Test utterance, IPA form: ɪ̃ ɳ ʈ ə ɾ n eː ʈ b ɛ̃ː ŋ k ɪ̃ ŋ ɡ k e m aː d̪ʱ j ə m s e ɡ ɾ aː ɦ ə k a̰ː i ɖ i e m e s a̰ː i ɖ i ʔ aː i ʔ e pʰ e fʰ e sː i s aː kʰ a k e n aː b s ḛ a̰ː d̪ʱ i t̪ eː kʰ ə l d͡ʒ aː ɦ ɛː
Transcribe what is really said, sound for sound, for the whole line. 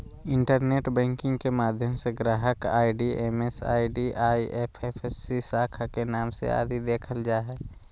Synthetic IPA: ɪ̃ ɳ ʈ ə ɾ n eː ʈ b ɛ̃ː ŋ k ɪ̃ ŋ ɡ k e m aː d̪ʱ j ə m s e ɡ ɾ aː ɦ ə k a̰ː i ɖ i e m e s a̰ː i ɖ i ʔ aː i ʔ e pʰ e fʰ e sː i s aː kʰ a k e n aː m s ḛ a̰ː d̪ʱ i d̪ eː kʰ ə l d͡ʒ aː ɦ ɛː

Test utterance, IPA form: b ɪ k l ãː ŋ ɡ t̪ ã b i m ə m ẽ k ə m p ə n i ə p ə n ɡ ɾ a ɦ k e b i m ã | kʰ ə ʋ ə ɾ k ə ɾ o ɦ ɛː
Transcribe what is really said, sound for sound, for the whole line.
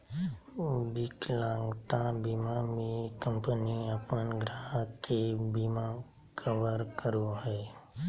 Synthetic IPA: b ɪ k l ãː ŋ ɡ t̪ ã b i m a m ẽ k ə m p ə n i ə p ə n ɡ ɾ a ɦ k e b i m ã | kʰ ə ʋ ə ɾ k ə ɾ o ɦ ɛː

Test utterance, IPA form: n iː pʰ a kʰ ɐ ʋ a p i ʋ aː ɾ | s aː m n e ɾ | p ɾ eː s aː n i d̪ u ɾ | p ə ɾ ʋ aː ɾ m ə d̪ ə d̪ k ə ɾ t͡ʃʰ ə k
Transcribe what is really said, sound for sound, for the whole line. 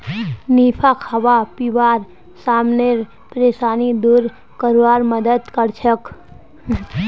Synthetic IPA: n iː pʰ a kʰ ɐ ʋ a p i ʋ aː ɾ | s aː m n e ɾ | p ɾ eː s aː n i d̪ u ɾ | k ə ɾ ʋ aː ɾ m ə d̪ ə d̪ k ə ɾ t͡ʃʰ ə k

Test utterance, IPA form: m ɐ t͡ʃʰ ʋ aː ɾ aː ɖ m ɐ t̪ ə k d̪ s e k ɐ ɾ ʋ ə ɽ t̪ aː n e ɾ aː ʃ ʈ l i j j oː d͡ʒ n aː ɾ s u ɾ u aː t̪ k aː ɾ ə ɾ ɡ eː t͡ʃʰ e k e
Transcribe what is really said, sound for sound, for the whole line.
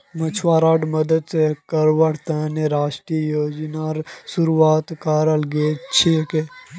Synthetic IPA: m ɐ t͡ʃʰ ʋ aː ɾ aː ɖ m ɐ d̪ ə d̪ s e k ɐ ɾ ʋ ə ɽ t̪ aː n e ɾ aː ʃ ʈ ɾ i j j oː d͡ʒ n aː ɾ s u ɾ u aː t̪ k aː ɾ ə l ɡ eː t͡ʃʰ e k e

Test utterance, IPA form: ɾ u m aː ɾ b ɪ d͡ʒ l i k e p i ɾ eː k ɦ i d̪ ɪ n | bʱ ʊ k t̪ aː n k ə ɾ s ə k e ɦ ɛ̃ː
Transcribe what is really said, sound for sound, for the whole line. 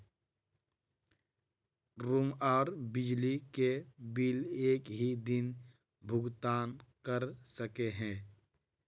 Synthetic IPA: ɾ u m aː ɾ b ɪ d͡ʒ l i k e b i l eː k ɦ i d̪ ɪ n | bʱ ʊ ɡ t̪ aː n k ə ɾ s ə k e ɦ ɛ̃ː

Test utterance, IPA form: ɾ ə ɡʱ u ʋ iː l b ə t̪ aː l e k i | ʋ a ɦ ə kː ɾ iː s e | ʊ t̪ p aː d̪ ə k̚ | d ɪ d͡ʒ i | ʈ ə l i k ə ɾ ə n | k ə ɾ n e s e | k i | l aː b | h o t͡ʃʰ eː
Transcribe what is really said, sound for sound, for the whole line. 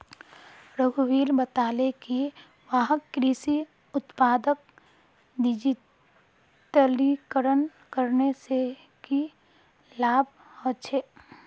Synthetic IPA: ɾ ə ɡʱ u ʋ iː l b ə t̪ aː l e k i | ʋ a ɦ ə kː ɾ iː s i | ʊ t̪ p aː d̪ ə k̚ | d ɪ d͡ʒ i | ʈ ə l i k ə ɾ ə n | k ə ɾ n e s e | k i | l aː b | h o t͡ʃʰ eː

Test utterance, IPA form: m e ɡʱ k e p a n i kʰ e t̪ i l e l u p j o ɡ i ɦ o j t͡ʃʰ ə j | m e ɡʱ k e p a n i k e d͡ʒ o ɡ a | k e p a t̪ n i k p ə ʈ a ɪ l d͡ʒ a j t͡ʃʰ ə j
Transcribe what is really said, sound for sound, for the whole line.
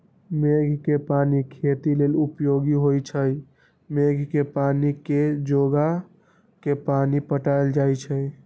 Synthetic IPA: m e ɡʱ k e p a n i kʰ e t̪ i l e l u p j o ɡ i ɦ o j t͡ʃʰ ə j | m e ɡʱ k e p a n i k e d͡ʒ o ɡ a | k e p a n i p ə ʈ a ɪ l d͡ʒ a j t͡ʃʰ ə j

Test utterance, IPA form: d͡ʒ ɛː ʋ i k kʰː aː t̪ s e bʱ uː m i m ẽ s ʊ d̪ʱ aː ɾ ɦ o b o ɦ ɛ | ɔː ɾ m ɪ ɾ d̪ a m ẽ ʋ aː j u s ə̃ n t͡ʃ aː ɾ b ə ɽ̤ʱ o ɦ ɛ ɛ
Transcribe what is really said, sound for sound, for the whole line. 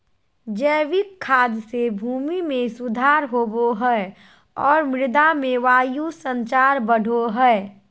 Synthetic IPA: d͡ʒ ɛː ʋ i k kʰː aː d̪ s e bʱ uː m i m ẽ s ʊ d̪ʱ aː ɾ ɦ o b o ɦ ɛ | ɔː ɾ m ɪ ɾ d̪ a m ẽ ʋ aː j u s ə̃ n t͡ʃ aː ɾ b ə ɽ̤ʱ o ɦ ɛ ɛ

